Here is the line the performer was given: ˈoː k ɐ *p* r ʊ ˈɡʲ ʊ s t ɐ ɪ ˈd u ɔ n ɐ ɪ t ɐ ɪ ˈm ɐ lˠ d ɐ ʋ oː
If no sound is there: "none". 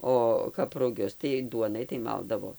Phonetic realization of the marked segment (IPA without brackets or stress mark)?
p